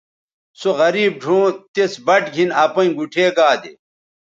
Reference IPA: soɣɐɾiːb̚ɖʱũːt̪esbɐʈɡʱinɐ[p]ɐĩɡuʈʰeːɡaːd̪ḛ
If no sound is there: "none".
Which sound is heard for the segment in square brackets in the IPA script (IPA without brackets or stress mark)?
p